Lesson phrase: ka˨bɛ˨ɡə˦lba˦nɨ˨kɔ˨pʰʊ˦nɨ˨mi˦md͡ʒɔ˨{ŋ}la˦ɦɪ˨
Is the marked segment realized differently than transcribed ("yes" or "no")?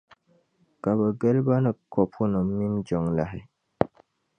no